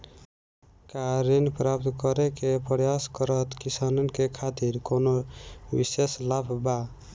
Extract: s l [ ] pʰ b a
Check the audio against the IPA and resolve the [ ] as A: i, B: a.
B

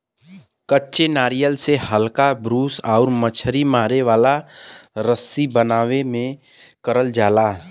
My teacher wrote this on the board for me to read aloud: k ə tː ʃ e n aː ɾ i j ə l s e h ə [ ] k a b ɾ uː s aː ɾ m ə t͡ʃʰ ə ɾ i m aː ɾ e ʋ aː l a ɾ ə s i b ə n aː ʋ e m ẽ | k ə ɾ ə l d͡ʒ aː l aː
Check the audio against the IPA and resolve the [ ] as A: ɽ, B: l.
B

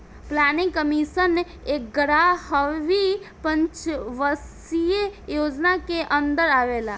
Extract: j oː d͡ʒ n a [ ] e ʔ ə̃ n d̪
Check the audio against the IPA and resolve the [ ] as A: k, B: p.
A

